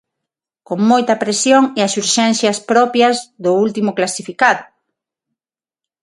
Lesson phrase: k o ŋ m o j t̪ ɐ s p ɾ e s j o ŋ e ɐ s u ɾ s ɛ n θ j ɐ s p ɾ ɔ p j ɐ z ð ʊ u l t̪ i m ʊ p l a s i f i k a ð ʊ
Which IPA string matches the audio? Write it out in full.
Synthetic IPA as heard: k o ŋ m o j t̪ ɐ p ɾ e s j o ŋ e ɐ s u ɾ ʃ ɛ n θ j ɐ s p ɾ ɔ p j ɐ z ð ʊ u l t̪ i m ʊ k l a s i f i k a ð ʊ